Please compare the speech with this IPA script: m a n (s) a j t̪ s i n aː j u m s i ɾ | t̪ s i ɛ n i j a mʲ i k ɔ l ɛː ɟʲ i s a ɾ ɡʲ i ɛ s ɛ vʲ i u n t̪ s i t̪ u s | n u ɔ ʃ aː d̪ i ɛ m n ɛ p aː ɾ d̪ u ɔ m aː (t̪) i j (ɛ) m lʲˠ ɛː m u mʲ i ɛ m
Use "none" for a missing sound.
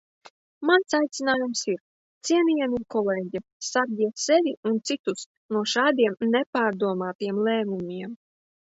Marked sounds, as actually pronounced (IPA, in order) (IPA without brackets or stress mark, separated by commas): s, t̪, ɛ